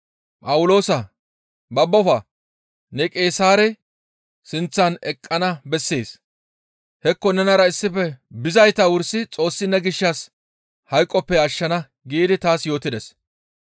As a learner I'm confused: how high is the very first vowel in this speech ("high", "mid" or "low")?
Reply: low